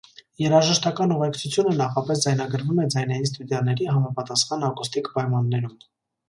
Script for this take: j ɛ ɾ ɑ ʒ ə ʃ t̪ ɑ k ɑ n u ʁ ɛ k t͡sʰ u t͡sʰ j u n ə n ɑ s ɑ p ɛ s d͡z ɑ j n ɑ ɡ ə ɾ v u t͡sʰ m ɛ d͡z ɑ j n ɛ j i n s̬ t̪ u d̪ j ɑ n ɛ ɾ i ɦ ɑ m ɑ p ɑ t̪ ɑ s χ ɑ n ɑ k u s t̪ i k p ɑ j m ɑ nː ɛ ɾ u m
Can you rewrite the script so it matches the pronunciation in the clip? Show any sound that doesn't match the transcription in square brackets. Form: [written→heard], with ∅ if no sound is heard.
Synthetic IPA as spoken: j ɛ ɾ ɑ ʒ ə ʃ t̪ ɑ k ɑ n u ʁ ɛ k t͡sʰ u t͡sʰ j u n ə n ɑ [s→χ] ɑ p ɛ s d͡z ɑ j n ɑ ɡ ə ɾ v u [t͡sʰ→∅] m ɛ d͡z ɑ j n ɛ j i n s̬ t̪ u d̪ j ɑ n ɛ ɾ i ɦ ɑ m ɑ p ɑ t̪ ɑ s χ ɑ n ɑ k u s t̪ i k p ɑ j m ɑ nː ɛ ɾ u m